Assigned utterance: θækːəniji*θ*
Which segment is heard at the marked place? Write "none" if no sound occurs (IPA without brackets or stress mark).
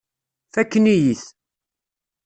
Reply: θ